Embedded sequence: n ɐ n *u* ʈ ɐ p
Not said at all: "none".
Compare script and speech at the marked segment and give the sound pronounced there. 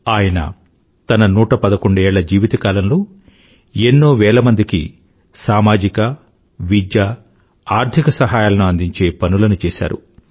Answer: uː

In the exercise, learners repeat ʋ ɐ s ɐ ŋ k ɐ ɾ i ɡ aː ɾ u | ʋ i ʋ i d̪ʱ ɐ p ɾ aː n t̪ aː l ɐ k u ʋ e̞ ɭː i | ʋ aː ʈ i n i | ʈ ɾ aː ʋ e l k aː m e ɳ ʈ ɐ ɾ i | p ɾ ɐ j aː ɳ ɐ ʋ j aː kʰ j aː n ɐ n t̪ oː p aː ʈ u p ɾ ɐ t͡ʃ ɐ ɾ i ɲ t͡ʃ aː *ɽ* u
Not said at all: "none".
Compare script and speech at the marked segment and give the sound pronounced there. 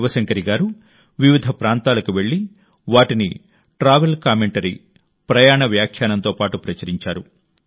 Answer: ɾ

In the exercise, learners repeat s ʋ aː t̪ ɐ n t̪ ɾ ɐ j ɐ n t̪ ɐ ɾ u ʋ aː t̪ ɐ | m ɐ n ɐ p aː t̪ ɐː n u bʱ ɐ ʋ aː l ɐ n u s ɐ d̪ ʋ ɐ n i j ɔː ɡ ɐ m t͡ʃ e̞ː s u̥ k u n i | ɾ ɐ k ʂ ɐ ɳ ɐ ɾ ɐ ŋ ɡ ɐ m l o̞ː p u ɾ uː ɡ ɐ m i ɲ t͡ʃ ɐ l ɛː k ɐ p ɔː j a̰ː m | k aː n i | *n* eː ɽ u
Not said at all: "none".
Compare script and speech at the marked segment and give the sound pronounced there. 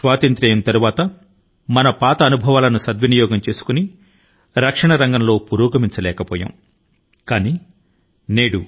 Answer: n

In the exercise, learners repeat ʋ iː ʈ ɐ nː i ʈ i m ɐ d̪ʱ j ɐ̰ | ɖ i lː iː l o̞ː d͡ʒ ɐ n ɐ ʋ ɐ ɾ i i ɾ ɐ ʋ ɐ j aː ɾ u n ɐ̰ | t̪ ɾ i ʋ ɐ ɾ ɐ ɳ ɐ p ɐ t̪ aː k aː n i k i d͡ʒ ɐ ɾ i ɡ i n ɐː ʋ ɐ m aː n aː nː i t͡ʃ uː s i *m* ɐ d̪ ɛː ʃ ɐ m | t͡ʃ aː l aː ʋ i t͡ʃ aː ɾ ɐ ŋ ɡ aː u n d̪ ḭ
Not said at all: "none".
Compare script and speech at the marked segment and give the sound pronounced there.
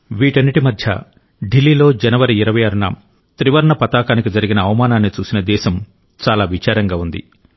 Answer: n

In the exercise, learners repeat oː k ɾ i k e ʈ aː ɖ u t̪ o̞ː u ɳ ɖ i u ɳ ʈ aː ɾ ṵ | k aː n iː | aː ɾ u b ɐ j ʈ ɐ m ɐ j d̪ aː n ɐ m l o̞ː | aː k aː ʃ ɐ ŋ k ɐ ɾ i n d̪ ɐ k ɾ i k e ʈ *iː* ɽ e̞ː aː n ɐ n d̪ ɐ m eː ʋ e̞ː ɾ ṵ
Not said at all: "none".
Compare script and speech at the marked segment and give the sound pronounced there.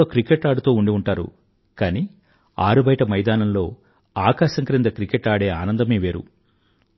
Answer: aː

